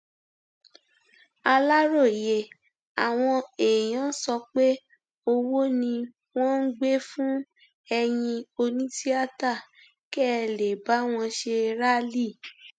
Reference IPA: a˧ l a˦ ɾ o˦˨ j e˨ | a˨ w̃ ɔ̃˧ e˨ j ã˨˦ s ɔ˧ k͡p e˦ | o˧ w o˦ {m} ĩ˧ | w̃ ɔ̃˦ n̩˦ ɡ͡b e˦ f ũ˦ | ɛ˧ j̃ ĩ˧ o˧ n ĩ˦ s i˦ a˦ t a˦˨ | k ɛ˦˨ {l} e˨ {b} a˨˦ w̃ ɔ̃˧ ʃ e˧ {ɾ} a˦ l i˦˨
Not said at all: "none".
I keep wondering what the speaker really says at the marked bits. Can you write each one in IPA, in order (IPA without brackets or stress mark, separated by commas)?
n, l, b, ɾ